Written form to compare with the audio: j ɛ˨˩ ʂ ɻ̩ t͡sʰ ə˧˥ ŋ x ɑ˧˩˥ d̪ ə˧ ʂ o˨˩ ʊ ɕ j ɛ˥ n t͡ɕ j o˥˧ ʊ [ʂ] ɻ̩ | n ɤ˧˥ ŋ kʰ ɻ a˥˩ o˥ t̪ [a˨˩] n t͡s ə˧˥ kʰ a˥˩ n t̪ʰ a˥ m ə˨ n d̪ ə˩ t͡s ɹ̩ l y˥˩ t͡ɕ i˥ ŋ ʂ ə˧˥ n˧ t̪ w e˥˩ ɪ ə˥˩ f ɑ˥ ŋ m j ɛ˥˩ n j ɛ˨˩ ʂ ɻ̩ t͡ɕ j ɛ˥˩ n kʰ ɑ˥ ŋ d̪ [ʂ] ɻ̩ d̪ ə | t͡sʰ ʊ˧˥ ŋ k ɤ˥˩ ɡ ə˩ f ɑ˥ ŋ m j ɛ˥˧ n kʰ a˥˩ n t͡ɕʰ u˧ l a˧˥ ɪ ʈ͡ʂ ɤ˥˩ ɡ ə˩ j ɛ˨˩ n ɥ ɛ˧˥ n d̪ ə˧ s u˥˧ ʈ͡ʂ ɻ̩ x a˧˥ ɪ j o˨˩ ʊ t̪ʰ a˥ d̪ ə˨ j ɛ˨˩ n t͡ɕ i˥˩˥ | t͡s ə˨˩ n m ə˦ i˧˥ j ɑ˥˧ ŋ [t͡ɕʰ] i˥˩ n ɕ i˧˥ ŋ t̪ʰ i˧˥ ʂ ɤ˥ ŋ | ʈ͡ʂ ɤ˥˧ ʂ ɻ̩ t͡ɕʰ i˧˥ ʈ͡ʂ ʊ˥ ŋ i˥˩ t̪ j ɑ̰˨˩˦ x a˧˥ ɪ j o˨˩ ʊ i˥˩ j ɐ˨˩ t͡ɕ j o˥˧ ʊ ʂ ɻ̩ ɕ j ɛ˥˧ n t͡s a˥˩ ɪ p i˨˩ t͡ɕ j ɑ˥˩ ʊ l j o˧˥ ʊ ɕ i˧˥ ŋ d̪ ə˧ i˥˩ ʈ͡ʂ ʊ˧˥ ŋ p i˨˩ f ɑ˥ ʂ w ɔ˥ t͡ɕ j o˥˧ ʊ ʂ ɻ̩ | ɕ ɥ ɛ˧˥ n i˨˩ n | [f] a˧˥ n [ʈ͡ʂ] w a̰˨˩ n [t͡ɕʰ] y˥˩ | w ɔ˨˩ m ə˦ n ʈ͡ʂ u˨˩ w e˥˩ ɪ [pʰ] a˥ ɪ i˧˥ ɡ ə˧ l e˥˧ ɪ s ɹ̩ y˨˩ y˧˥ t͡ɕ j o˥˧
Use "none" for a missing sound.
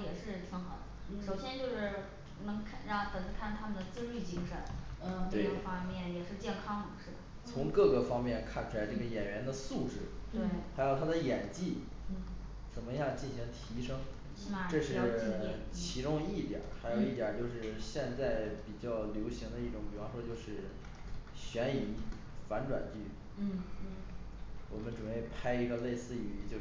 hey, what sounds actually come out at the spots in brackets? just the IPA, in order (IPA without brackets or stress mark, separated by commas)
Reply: ʂ, ə˨˩, ʂ, t͡ɕ, f, ʈ͡ʂ, t͡ɕ, pʰ